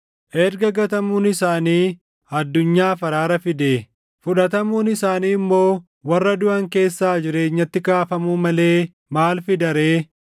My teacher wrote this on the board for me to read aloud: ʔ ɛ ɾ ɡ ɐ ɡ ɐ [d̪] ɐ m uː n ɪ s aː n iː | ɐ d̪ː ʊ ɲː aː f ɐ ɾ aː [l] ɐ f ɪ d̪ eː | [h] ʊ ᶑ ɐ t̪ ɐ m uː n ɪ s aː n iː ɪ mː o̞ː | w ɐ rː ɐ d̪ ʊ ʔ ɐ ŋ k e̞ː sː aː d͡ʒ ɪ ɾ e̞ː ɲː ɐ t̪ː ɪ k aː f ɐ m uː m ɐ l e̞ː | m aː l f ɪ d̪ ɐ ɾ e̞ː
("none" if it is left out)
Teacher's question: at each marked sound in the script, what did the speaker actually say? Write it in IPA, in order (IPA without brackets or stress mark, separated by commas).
t̪, ɾ, f